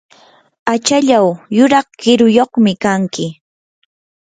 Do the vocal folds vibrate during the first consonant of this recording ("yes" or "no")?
no